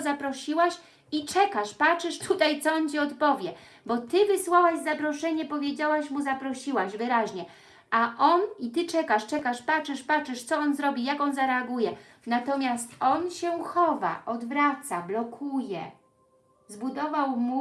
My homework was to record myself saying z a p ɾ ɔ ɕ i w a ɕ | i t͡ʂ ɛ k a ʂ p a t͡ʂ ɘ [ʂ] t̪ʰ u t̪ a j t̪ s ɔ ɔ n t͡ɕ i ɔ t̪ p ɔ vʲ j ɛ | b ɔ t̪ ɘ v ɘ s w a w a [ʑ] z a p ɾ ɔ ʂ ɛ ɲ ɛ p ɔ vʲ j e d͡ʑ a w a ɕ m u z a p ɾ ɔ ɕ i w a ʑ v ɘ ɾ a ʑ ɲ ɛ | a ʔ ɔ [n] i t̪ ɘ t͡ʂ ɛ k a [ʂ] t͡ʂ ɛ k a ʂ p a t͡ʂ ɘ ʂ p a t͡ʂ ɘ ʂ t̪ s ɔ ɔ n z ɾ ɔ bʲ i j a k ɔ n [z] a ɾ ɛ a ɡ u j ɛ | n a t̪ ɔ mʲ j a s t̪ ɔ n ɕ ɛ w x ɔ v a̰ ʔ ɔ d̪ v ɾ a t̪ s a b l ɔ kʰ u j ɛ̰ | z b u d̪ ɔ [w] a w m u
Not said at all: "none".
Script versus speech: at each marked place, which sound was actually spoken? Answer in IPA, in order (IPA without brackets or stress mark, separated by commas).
ʂ, ʑ, n, ʂ, z, v